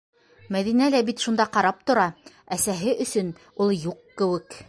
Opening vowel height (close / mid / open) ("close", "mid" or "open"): open